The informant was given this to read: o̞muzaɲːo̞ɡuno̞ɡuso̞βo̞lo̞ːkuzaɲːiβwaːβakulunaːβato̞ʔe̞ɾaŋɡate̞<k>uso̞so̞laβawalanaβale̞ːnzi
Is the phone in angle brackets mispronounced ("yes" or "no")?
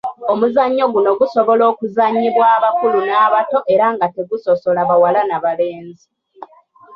yes